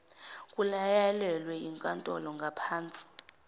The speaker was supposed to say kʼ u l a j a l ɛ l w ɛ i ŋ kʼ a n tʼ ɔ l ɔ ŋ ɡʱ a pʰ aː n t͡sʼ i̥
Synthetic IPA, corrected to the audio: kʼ u l a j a l ɛ l w ɛ i ŋ kʼ a n tʼ ɔ l ɔ ŋ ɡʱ a pʰ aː n t͡sʼ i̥